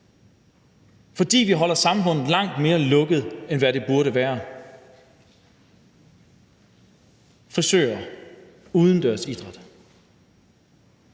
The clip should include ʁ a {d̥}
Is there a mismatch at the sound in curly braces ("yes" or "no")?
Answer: no